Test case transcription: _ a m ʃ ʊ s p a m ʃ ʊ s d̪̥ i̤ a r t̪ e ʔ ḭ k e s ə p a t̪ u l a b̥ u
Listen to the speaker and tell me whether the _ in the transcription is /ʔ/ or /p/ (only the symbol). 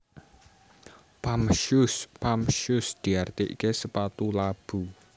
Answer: p